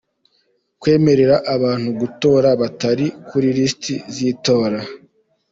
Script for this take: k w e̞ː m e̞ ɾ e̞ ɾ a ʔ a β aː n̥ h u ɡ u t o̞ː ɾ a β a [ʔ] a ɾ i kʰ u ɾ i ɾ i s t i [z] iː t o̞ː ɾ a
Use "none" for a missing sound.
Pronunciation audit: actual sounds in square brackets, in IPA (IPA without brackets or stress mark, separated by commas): t, z